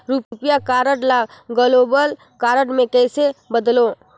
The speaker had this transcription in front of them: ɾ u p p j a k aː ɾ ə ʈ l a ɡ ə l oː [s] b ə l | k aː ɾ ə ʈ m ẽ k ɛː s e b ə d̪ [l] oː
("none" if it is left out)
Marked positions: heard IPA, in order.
none, l

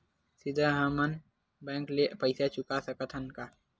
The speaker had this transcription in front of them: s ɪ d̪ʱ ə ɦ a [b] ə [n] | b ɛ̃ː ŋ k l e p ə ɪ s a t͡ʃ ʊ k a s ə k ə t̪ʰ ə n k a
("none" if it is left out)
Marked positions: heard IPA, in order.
m, n

